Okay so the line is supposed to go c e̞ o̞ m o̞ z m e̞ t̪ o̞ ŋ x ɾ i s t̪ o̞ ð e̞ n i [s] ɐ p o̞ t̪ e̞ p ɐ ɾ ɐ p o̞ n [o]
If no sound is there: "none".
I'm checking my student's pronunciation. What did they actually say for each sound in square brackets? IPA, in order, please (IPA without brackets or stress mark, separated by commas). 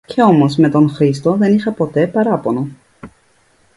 x, o